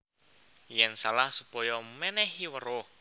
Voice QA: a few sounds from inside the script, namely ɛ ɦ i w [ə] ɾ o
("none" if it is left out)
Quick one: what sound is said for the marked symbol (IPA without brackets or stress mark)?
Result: ə